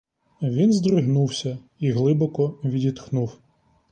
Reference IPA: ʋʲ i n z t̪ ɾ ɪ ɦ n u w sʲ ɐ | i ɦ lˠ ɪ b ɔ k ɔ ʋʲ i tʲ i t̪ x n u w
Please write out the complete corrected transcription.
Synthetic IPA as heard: ʋʲ i n z d̪ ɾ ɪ ɦ n u w sʲ ɐ | i ɦ lˠ ɪ b ɔ k ɔ ʋʲ i dʲ i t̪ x n u w

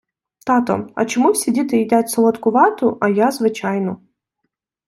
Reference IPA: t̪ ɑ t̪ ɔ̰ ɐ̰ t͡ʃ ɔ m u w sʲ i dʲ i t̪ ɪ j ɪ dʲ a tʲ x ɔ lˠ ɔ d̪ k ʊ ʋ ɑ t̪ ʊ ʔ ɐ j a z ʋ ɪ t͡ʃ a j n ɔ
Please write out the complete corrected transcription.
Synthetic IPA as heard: t̪ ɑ t̪ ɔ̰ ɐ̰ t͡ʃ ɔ m u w sʲ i dʲ i t̪ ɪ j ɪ dʲ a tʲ s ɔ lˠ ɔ t̪ k ʊ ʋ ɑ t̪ ʊ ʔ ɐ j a z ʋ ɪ t͡ʃ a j n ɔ

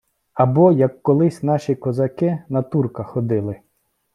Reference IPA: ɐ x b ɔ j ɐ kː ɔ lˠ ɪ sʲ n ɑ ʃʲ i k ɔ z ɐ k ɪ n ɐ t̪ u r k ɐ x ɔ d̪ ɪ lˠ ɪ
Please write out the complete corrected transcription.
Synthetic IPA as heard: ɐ b ɔ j ɐ kː ɔ lˠ ɪ sʲ n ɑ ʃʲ i k ɔ z ɐ k ɪ n ɐ t̪ u r k ɐ x ɔ d̪ ɪ lˠ ɪ

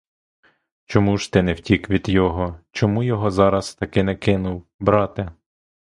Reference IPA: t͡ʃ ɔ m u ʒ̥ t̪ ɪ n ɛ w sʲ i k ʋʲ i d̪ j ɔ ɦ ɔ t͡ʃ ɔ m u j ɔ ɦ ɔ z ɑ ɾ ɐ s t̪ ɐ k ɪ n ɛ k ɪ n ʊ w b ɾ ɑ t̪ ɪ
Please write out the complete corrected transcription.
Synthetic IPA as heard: t͡ʃ ɔ m u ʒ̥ t̪ ɪ n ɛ w tʲ i k ʋʲ i d̪ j ɔ ɦ ɔ t͡ʃ ɔ m u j ɔ ɦ ɔ z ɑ ɾ ɐ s t̪ ɐ k ɪ n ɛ k ɪ n ʊ w b ɾ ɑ t̪ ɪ

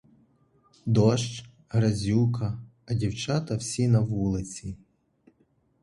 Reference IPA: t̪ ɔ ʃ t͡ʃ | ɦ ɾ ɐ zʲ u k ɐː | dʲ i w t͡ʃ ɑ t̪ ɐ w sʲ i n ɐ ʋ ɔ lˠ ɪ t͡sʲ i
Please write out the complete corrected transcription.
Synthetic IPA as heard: d̪ ɔ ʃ t͡ʃ | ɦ ɾ ɐ zʲ u k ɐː | dʲ i w t͡ʃ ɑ t̪ ɐ w sʲ i n ɐ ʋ u lˠ ɪ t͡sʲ i

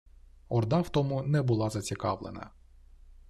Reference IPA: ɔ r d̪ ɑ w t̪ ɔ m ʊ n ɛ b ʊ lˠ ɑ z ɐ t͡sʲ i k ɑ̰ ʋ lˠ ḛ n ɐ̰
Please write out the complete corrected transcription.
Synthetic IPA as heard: ɔ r d̪ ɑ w t̪ ɔ m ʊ n ɛ b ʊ lˠ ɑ z ɐ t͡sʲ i k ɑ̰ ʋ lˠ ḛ n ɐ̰

